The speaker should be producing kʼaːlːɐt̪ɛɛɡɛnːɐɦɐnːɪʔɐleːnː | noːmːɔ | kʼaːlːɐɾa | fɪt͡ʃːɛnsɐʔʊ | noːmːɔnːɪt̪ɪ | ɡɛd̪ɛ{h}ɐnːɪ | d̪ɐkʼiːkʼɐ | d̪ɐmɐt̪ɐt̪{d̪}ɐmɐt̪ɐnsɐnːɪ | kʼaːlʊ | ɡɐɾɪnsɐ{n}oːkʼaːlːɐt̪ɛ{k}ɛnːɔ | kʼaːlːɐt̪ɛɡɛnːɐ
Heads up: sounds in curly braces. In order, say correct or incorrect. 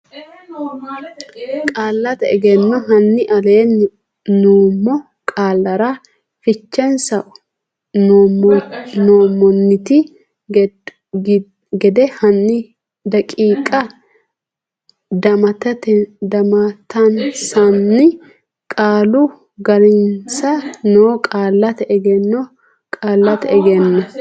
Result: correct, correct, correct, incorrect: ɡ

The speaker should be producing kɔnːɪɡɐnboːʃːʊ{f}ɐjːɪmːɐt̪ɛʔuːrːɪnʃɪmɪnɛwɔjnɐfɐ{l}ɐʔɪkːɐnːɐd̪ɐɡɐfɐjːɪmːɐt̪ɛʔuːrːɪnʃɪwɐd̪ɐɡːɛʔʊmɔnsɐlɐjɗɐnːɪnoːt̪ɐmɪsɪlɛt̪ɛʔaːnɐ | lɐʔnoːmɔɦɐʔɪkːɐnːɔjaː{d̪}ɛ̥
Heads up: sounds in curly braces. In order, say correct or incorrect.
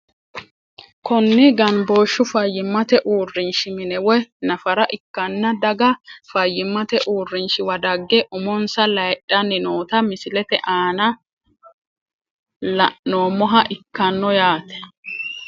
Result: correct, incorrect: ɾ, incorrect: t̪

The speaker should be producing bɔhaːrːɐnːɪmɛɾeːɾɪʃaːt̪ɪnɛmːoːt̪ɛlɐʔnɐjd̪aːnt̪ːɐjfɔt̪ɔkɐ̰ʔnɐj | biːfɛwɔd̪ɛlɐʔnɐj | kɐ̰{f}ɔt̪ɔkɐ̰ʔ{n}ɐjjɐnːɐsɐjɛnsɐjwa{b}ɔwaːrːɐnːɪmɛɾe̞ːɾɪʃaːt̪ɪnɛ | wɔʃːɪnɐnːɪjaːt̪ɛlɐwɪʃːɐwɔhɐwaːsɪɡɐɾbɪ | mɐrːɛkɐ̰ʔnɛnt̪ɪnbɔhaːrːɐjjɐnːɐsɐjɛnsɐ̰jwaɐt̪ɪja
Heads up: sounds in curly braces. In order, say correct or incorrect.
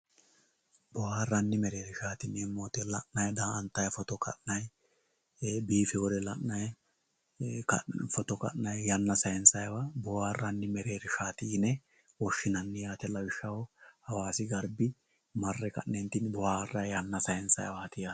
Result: correct, correct, correct

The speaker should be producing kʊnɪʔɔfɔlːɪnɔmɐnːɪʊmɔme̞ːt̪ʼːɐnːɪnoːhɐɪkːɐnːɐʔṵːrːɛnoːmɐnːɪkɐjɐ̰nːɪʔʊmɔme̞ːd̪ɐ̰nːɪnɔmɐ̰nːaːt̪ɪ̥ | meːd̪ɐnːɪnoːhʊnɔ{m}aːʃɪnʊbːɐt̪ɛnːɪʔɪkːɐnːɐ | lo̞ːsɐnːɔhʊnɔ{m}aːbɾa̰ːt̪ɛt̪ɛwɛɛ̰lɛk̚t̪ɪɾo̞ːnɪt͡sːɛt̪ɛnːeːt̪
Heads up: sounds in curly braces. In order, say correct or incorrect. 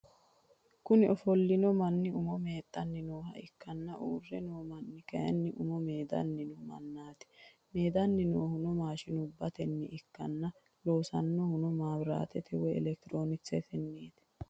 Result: correct, correct

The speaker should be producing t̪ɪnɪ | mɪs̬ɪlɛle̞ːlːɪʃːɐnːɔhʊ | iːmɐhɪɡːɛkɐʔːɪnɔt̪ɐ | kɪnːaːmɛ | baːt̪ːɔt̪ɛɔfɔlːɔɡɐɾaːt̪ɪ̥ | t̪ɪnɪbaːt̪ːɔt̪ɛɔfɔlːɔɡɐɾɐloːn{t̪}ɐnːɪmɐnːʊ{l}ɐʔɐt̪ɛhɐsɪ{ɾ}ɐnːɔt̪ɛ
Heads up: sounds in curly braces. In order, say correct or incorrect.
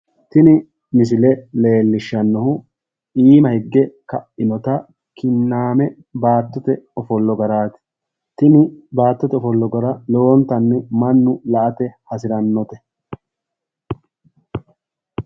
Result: correct, correct, correct

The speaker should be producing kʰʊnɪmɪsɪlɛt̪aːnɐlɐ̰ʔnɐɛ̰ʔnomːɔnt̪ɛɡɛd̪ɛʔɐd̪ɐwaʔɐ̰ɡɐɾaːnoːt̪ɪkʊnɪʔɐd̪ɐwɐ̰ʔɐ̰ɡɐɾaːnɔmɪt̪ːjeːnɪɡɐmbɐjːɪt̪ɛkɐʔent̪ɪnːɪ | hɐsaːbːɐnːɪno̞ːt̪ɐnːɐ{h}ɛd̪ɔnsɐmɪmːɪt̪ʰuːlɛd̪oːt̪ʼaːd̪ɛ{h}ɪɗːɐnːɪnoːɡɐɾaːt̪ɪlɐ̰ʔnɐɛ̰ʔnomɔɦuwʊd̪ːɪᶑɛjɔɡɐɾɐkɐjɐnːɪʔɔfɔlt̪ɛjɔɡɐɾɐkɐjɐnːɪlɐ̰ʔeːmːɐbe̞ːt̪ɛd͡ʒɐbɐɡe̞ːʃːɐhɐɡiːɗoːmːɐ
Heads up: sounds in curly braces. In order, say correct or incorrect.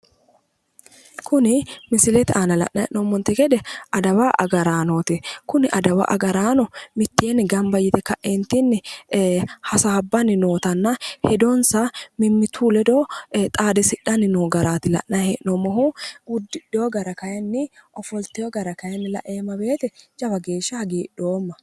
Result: correct, incorrect: s

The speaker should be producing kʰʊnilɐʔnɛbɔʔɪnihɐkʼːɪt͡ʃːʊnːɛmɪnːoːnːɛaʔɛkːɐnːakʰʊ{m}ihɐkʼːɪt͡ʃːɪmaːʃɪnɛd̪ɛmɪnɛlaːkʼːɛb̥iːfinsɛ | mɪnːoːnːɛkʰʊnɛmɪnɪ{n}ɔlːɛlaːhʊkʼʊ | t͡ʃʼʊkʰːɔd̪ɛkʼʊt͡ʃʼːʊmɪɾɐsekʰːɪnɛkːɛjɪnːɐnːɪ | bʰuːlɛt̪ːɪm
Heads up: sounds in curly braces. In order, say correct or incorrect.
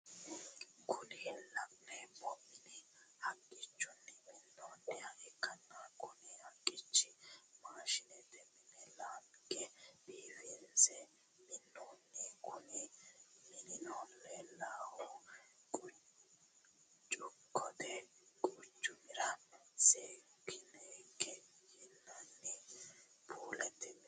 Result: incorrect: n, correct

